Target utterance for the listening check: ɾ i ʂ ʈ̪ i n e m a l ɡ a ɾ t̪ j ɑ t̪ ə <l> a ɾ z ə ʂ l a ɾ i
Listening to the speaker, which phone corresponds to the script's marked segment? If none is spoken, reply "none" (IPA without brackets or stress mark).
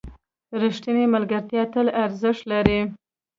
l